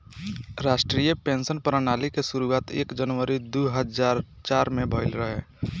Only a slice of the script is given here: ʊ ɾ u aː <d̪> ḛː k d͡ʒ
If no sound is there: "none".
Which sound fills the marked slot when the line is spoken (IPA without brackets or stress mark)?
t̪